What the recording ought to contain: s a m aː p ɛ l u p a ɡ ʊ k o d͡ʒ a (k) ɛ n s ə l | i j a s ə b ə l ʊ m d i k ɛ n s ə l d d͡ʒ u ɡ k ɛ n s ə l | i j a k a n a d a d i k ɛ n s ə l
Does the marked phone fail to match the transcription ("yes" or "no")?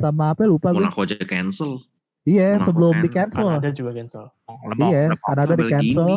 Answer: no